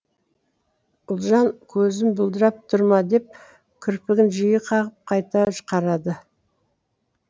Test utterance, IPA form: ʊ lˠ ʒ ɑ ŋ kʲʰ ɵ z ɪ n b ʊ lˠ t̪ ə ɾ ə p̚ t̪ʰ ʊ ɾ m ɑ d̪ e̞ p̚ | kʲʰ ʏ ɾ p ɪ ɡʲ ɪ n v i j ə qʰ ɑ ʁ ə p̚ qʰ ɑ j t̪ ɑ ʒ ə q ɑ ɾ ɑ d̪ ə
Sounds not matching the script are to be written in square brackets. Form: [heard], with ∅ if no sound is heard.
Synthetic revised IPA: ʊ lˠ ʒ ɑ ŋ kʲʰ ɵ z ɪ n b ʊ lˠ [d̪] ə ɾ [ɑ] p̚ t̪ʰ ʊ ɾ m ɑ d̪ e̞ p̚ | kʲʰ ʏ ɾ p ɪ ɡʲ ɪ n [ʒ] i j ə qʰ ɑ ʁ ə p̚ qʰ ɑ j t̪ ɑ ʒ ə q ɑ ɾ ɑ d̪ ə

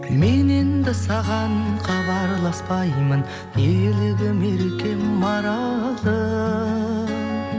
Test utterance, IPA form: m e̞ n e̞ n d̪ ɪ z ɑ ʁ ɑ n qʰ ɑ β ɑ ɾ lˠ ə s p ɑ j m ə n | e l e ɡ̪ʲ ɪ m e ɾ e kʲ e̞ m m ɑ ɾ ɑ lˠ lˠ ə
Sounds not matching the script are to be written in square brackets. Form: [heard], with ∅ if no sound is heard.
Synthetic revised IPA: m e̞ n e̞ n d̪ ɪ [s] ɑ ʁ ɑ n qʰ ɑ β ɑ ɾ lˠ [ɑ] s p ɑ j m ə n | e l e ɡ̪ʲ ɪ m e ɾ e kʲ e̞ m m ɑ ɾ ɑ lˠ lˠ ə

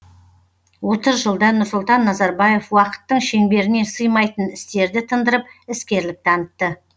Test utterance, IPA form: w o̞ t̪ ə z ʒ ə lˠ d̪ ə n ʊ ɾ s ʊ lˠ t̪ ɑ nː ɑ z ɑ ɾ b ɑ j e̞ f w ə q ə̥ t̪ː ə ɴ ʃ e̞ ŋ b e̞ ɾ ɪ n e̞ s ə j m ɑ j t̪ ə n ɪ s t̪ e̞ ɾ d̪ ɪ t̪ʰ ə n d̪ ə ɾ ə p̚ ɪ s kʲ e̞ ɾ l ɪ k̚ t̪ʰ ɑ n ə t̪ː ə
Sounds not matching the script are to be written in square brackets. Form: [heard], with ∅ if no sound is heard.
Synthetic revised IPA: w o̞ t̪ ə z ʒ ə lˠ d̪ [ɑ] n ʊ ɾ s ʊ lˠ t̪ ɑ nː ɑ z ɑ ɾ b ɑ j e̞ f w [ɑ] q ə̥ t̪ː ə ɴ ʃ e̞ ŋ b e̞ ɾ ɪ n e̞ s ə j m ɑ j t̪ ə n ɪ s t̪ e̞ ɾ d̪ ɪ t̪ʰ ə n d̪ ə ɾ ə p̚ ɪ s kʲ e̞ ɾ l ɪ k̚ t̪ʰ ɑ n ə t̪ː ə

